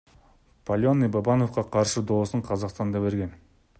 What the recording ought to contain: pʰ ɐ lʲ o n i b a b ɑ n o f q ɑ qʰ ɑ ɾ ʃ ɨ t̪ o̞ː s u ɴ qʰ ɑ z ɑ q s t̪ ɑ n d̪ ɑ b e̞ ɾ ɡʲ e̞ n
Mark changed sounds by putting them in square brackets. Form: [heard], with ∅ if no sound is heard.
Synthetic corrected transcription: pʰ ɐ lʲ o n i b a b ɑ n o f q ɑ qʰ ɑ ɾ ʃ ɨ [d̪] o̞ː s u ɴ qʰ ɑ z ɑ q s t̪ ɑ n d̪ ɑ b e̞ ɾ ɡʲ e̞ n